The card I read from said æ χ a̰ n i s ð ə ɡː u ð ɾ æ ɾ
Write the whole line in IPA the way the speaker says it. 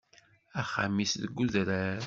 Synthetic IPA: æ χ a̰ m i s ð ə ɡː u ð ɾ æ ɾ